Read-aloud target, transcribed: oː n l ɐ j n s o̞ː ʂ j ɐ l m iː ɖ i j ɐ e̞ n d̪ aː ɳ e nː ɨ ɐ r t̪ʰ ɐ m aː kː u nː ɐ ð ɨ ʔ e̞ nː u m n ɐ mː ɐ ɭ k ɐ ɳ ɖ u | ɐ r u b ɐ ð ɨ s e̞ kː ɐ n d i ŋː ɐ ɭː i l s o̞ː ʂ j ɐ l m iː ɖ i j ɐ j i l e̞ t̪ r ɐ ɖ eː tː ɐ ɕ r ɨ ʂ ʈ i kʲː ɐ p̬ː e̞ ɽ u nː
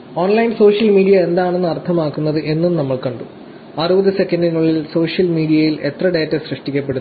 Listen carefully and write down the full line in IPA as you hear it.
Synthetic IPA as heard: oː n l ɐ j n s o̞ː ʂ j ɐ l m iː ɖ i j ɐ e̞ n d̪ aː ɳ e nː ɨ ɐ r t̪ʰ ɐ m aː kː u nː ɐ ð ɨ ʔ e̞ nː u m n ɐ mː ɐ ɭ k ɐ ɳ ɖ u | ɐ r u b ɐ ð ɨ s e̞ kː ɐ n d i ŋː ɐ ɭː i l s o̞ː ʂ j ɐ l m iː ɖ i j ɐ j i l e̞ t̪ r ɐ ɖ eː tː ɐ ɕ r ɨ ʂ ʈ i kʲː ɐ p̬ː e̞ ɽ u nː